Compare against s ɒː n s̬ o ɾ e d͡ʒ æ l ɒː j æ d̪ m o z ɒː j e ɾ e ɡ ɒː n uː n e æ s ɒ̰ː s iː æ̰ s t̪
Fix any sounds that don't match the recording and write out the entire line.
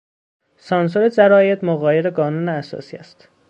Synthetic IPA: s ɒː n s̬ o ɾ e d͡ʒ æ ɾ ɒː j e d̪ m o ɣ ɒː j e ɾ e ɡ ɒː n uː n e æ s ɒ̰ː s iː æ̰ s t̪